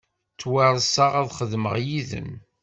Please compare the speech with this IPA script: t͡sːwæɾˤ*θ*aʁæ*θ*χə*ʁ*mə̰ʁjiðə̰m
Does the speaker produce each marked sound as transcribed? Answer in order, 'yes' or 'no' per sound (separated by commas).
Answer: no, no, no